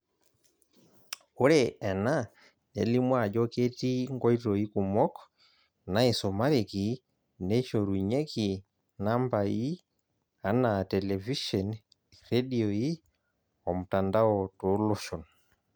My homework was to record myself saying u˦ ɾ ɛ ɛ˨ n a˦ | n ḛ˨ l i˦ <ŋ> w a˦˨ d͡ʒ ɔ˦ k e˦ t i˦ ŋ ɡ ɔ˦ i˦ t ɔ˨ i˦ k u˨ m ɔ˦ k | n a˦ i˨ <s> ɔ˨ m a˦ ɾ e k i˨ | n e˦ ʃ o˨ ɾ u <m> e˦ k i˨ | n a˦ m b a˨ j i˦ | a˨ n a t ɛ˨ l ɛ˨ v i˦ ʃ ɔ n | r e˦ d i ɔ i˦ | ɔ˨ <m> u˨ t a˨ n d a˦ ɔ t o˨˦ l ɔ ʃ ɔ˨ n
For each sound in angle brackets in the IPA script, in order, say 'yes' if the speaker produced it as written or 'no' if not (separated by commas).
no, yes, no, yes